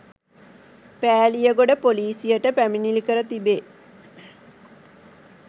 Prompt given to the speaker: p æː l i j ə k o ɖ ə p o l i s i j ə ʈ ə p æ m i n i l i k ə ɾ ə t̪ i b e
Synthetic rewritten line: p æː l i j ə ɡ o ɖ ə p o l iː s i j ə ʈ ə p æ m i n i l i k ə ɾ ə t̪ i b e